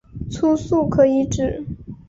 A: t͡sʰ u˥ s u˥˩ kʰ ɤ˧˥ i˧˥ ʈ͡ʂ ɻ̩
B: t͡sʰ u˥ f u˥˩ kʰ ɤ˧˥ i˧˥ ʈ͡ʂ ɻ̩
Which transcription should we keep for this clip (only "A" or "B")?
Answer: A